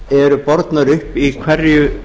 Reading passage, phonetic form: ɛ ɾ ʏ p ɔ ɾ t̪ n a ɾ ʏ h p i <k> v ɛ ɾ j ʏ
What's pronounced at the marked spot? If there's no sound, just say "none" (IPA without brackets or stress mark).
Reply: kʰ